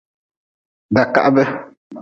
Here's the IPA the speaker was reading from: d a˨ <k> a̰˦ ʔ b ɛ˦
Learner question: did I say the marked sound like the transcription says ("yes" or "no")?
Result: yes